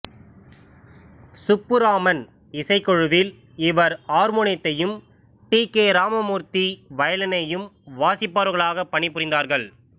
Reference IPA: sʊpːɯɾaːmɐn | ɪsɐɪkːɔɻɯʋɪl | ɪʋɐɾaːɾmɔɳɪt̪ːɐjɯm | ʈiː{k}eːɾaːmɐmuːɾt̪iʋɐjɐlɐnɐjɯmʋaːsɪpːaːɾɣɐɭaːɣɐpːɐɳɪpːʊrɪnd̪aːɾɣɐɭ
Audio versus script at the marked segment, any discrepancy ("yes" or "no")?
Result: no